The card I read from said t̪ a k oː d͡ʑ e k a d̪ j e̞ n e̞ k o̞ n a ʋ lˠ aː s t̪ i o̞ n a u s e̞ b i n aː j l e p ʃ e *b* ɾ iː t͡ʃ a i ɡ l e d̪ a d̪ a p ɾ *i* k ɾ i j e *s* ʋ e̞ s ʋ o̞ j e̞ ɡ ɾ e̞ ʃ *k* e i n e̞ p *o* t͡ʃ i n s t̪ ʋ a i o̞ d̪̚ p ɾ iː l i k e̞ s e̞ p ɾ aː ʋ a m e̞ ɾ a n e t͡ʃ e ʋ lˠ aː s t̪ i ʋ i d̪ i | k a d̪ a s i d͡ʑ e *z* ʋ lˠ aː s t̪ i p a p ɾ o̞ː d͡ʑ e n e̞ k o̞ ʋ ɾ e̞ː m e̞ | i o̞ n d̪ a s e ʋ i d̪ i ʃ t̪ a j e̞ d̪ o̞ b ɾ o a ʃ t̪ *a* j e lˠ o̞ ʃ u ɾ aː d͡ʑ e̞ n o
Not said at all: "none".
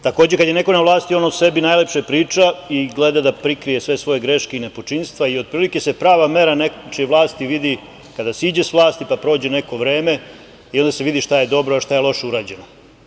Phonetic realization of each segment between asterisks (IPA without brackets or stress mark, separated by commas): p, i, s, k, o, s, a